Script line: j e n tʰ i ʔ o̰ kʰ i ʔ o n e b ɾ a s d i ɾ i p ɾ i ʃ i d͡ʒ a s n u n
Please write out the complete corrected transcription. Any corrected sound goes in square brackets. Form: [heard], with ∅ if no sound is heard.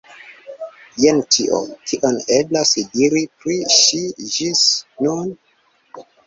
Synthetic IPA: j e n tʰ i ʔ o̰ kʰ i ʔ o n e b [l] a s d i ɾ i p ɾ i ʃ i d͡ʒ [i] s n u n

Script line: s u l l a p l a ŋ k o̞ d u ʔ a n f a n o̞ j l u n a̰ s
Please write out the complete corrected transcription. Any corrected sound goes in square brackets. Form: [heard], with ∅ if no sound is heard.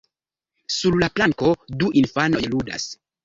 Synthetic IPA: s u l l a p l a ŋ k o̞ d u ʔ [i] n f a n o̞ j l u [d] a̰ s

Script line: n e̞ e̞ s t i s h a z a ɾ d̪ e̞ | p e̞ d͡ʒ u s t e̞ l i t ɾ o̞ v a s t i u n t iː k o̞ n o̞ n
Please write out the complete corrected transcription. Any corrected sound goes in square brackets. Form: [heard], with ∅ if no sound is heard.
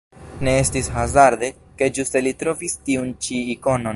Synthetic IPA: n e̞ e̞ s t i s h a z a ɾ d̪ e̞ | [k] e̞ d͡ʒ u s t e̞ l i t ɾ o̞ v [i] s t i u n [t͡ʃ] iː k o̞ n o̞ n

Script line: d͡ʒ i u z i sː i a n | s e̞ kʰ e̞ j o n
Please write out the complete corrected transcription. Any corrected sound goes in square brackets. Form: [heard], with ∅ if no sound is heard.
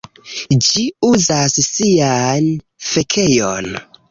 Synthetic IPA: d͡ʒ i u z [a] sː i a n | [f] e̞ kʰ e̞ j o n

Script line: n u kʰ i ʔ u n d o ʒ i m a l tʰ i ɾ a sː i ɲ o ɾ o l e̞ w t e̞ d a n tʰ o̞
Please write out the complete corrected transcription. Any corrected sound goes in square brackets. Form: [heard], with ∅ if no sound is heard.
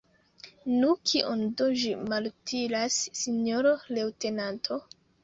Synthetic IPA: n u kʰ i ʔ [o] n d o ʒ i m a l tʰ i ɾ a sː i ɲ o ɾ o l e̞ w t e̞ [n] a n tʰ o̞

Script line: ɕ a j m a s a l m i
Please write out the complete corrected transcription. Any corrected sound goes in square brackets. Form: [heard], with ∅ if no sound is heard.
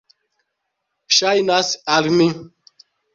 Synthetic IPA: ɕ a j [n] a s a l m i

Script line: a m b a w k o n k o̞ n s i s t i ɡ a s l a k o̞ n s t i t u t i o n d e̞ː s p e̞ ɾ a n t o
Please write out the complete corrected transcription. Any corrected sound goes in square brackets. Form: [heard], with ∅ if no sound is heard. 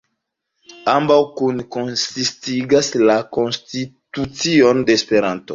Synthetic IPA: a m b a w k [u] n k o̞ n s i s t i ɡ a s l a k o̞ n s t i t u [t͡s] i o n d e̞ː s p e̞ ɾ a n t o

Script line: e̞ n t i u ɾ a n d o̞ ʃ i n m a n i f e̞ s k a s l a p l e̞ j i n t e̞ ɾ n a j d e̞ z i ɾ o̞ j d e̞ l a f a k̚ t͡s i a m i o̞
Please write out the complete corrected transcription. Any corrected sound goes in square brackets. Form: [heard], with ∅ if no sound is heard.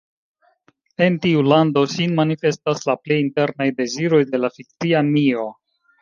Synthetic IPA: e̞ n t i u [l] a n d o̞ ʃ i n m a n i f e̞ s [t] a s l a p l e̞ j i n t e̞ ɾ n a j d e̞ z i ɾ o̞ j d e̞ l a f [i] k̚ t͡s i a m i o̞

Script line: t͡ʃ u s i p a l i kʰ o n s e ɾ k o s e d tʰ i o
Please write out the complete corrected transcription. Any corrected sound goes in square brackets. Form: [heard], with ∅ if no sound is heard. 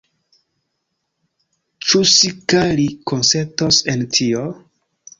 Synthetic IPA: t͡ʃ u s i [k] a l i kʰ o n s e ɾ [t] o s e [n] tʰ i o

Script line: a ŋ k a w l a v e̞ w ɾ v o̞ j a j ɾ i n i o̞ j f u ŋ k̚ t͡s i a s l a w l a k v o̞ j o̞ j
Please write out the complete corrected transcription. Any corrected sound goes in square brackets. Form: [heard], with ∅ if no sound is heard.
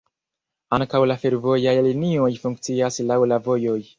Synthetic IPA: a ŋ k a w l a [f] e̞ [∅] ɾ v o̞ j a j [l] i n i o̞ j f u ŋ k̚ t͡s i a s l a w l a [∅] v o̞ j o̞ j

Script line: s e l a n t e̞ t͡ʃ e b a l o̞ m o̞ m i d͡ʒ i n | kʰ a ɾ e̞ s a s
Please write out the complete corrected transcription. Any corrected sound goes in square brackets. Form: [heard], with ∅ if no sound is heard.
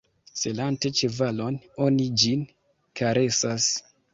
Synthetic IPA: s e l a n t e̞ t͡ʃ e [v] a l o̞ [n] o̞ [n] i d͡ʒ i n | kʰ a ɾ e̞ s a s

